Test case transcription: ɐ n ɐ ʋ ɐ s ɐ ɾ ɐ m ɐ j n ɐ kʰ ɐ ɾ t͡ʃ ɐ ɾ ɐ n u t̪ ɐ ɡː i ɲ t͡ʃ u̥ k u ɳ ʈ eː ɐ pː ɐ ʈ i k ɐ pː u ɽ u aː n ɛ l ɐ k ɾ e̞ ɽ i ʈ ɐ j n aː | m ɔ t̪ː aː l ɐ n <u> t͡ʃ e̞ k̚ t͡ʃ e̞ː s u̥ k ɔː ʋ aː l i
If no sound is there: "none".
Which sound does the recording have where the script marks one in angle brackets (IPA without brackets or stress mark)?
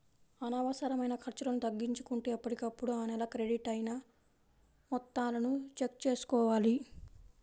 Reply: u